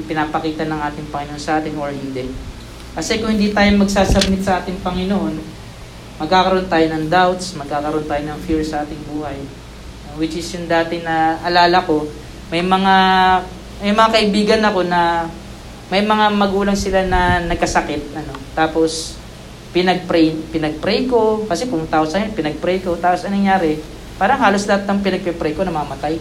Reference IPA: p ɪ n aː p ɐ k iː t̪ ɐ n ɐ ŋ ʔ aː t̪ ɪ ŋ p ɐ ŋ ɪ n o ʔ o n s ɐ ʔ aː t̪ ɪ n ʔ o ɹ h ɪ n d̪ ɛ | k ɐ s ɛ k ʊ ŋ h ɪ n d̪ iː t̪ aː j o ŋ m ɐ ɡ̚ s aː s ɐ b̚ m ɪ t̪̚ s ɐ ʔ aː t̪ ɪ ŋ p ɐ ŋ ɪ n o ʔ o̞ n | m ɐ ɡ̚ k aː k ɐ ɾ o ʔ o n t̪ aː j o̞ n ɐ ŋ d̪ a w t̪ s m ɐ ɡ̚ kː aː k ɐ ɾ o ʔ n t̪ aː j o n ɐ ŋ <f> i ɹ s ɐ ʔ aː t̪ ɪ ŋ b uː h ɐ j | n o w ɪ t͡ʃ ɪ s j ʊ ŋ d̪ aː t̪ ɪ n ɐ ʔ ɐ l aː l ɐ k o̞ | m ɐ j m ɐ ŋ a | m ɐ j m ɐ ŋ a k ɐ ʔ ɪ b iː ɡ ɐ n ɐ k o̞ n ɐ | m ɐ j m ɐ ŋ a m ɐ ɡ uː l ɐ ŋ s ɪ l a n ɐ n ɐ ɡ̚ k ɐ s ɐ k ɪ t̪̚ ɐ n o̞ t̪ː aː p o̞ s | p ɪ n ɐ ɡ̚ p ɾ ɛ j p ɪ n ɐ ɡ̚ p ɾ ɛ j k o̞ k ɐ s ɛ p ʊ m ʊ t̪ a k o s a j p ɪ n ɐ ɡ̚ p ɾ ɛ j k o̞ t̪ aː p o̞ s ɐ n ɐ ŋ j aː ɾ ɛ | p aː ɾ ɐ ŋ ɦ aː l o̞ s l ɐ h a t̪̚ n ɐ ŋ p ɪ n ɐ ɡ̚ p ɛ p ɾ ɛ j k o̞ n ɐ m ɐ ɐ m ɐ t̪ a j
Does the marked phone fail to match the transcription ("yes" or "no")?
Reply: no